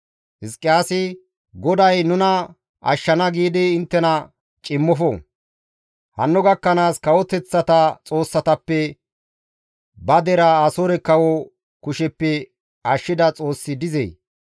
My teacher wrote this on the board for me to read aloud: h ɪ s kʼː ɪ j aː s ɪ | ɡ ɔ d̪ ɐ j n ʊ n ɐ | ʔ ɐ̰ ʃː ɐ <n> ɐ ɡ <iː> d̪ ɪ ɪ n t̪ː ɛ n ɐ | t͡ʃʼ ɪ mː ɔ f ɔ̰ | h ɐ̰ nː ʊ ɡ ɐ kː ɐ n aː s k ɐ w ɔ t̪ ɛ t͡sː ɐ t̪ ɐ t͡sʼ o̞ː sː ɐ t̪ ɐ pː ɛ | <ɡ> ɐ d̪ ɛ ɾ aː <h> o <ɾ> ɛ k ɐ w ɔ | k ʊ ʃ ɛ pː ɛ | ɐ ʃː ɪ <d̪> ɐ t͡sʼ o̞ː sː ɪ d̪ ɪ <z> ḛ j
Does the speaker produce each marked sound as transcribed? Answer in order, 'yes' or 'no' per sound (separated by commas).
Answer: yes, yes, no, no, yes, yes, yes